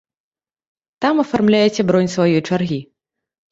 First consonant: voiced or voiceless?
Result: voiceless